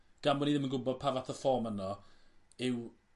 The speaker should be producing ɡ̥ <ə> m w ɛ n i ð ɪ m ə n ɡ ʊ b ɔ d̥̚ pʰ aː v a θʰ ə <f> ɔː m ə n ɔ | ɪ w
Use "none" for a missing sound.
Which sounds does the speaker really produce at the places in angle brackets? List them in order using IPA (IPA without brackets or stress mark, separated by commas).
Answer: a, f